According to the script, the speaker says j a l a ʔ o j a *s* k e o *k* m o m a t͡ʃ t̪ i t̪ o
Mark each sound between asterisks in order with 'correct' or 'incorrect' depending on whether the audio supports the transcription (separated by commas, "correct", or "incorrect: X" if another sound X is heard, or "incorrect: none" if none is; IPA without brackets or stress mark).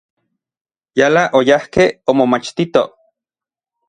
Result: incorrect: h, incorrect: none